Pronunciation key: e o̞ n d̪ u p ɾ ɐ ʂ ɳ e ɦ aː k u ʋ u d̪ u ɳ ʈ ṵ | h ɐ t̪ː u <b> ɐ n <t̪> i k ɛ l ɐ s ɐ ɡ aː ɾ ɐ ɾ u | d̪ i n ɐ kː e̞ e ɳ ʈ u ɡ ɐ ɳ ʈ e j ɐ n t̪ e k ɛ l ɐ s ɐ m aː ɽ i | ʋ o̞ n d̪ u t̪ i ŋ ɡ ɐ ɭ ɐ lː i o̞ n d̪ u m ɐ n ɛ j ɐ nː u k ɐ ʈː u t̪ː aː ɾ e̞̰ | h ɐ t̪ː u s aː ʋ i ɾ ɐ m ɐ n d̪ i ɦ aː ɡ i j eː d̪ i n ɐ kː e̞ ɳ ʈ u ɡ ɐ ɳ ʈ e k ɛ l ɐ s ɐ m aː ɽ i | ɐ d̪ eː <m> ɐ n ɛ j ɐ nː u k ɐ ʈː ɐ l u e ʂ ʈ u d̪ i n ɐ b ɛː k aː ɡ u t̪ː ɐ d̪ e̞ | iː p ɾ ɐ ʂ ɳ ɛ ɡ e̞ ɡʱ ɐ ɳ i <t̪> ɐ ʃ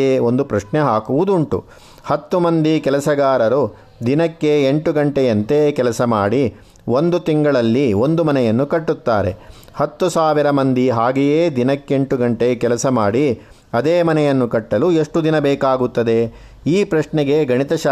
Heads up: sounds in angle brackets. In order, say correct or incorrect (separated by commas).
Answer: incorrect, incorrect, correct, correct